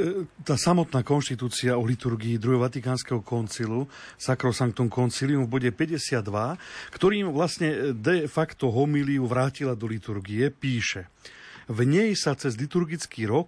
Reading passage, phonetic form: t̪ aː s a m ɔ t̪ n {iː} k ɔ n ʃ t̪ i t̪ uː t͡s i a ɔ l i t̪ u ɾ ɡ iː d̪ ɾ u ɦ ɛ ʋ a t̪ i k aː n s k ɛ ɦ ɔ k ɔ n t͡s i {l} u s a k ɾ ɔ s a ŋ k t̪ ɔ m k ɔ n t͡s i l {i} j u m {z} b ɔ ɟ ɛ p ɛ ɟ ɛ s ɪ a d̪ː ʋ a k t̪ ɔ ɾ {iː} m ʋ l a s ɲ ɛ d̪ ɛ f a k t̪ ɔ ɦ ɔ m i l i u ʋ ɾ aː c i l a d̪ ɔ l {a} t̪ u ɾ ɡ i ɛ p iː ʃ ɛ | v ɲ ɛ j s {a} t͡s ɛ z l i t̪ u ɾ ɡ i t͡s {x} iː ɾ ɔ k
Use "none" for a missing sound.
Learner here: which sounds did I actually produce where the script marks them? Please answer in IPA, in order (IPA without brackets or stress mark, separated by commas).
aː, l, i, v, iː, i, a, k